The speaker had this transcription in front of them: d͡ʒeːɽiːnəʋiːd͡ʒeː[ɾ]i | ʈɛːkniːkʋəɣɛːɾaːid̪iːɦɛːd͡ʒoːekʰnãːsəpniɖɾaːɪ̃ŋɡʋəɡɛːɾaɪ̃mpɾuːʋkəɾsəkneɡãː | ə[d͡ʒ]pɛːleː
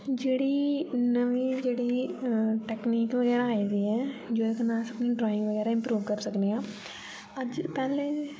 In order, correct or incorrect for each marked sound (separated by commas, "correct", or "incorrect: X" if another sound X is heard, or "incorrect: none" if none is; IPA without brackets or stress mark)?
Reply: incorrect: ɽ, correct